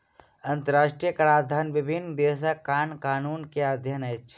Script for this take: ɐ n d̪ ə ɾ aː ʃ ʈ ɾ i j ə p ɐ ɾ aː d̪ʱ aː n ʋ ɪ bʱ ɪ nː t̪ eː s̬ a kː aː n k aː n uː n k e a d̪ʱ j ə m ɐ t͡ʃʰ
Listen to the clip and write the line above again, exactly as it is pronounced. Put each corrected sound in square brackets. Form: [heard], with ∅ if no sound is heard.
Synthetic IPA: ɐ n [t̪] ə ɾ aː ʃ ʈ ɾ i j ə [k] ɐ ɾ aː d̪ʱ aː n ʋ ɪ bʱ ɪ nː [d̪] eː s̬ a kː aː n k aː n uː n k e a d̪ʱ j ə [n] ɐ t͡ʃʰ